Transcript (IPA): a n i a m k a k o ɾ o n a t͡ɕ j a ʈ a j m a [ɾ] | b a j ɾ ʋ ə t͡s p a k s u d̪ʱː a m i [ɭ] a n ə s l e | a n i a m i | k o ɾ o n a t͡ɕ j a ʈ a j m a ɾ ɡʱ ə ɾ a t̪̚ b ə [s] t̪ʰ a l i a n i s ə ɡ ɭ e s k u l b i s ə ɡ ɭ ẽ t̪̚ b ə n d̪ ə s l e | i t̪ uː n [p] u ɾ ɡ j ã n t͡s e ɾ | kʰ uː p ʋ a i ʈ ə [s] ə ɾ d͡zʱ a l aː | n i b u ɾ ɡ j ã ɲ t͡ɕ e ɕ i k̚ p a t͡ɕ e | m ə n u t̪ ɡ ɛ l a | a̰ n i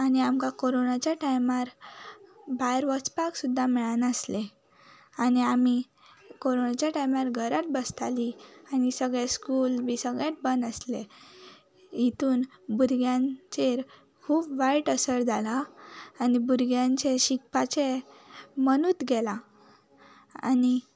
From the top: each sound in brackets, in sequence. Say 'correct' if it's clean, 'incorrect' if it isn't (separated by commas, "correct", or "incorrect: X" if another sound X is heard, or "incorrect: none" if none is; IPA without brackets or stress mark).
correct, correct, correct, incorrect: b, correct